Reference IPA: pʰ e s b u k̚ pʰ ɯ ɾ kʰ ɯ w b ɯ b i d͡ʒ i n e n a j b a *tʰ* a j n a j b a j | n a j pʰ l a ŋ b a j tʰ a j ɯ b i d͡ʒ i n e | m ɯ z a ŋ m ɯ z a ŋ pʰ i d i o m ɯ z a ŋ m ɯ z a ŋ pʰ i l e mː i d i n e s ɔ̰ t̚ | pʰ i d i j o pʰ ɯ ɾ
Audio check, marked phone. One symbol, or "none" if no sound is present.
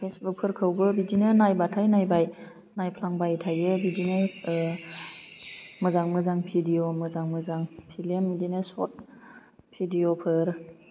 tʰ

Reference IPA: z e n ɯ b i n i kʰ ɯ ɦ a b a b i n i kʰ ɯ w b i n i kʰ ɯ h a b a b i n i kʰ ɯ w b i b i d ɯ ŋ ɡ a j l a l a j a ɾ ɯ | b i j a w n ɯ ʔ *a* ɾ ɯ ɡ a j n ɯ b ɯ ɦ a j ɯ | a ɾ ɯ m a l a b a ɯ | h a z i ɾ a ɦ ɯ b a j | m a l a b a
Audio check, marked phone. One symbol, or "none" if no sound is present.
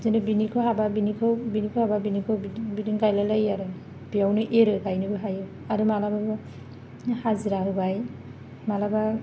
e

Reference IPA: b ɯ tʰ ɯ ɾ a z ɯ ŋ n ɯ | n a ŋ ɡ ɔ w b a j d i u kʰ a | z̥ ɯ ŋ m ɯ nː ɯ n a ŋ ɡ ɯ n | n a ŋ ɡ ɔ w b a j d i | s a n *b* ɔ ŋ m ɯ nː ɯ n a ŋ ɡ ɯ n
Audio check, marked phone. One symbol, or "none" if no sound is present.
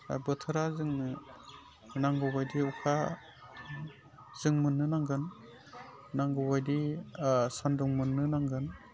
d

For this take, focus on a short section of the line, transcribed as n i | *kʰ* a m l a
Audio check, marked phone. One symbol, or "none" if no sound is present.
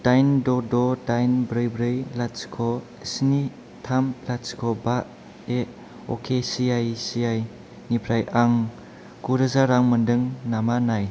tʰ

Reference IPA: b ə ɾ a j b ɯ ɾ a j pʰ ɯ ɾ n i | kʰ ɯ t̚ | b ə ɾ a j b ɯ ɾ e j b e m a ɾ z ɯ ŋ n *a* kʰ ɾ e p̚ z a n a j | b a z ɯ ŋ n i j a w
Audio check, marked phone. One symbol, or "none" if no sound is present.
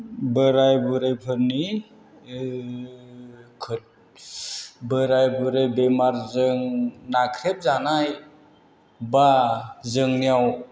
a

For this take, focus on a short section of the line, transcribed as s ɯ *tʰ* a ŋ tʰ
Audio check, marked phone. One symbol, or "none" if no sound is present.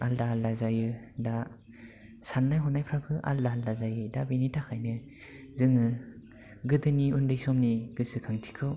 kʰ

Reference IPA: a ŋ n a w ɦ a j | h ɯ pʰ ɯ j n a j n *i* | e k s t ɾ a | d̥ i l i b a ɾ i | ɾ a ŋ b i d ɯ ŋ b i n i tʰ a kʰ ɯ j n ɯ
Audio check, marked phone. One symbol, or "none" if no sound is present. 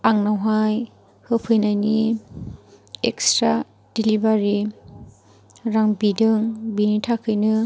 i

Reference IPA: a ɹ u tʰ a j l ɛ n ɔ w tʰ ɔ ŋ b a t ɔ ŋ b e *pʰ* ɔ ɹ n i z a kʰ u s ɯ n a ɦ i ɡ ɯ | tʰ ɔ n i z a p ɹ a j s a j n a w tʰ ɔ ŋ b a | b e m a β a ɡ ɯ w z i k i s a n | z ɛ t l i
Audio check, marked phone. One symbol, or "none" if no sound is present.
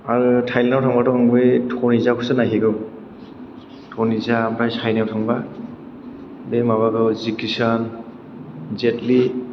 tʰ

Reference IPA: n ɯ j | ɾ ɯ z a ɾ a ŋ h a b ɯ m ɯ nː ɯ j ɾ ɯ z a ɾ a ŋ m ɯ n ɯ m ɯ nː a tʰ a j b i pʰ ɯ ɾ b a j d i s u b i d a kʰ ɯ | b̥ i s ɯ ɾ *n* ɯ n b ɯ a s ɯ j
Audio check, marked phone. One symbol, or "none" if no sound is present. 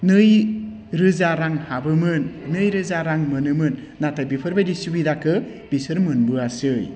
m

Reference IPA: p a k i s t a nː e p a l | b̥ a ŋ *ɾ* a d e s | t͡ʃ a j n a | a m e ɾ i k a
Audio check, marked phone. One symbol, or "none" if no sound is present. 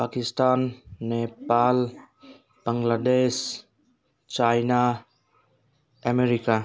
l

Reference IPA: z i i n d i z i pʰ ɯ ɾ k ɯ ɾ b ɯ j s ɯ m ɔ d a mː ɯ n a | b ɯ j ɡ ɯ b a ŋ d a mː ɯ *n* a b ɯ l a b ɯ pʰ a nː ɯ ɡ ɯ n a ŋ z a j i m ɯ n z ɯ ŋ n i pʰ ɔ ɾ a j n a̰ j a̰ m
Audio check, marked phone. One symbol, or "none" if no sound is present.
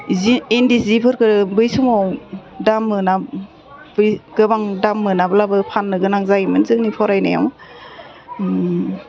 n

